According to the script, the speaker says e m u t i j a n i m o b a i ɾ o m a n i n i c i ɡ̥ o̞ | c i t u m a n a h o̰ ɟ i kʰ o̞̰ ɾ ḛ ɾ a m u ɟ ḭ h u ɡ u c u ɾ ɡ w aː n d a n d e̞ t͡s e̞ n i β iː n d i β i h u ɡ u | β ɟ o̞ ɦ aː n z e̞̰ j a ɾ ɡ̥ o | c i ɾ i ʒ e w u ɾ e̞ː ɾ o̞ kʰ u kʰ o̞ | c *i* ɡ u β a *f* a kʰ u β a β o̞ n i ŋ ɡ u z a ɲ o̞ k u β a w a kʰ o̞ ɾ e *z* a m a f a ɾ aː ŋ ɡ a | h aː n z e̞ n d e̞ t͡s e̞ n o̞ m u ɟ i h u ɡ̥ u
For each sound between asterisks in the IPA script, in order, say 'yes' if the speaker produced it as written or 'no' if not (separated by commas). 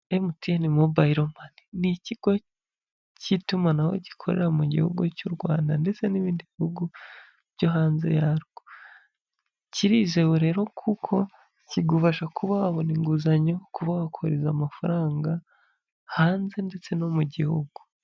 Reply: yes, no, yes